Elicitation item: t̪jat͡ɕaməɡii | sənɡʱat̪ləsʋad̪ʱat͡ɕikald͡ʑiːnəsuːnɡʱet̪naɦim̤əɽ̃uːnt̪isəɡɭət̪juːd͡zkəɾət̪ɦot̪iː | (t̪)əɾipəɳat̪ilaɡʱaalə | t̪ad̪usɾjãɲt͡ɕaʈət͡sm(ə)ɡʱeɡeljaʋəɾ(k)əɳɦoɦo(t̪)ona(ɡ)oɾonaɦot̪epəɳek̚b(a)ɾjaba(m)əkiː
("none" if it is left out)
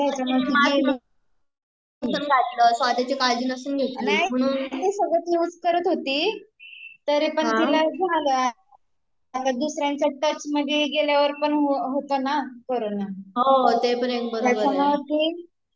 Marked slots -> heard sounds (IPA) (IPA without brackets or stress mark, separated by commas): t̪, ə, p, t̪, k, ə, m